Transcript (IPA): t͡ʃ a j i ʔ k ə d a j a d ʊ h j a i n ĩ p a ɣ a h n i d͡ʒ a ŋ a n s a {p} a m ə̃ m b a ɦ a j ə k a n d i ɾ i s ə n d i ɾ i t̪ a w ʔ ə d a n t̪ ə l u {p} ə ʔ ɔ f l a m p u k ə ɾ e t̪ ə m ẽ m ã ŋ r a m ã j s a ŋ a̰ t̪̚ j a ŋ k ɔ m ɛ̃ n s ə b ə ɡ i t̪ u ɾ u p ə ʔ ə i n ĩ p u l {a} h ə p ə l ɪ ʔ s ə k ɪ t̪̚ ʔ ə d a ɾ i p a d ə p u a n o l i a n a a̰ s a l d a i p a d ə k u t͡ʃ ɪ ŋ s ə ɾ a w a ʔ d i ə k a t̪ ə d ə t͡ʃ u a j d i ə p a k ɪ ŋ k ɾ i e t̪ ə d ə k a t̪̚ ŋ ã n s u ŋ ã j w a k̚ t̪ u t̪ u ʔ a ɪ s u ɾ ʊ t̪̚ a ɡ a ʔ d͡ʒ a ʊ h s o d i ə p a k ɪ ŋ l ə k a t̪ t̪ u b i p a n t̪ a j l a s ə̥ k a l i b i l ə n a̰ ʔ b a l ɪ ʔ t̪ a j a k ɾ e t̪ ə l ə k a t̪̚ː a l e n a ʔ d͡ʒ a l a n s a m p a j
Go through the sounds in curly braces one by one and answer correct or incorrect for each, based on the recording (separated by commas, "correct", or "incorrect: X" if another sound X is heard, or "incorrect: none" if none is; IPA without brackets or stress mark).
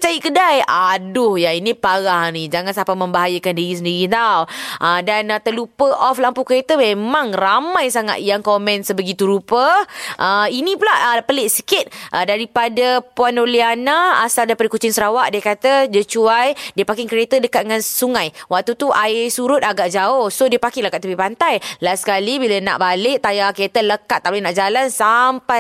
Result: correct, correct, correct